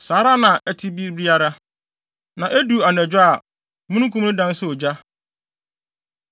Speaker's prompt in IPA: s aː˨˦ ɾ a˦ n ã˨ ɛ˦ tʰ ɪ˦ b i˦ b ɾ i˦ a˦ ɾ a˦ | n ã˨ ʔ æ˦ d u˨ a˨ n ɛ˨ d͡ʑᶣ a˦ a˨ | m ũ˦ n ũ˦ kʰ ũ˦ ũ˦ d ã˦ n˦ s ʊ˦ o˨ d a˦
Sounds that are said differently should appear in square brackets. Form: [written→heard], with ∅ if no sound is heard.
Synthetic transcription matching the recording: s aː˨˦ ɾ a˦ n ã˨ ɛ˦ tʰ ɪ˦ b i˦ b ɾ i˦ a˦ ɾ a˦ | n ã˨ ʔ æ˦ d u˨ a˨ n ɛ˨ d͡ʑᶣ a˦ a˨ | m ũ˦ n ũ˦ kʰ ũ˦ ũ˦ d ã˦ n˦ s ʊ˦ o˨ [d→d͡ʑ] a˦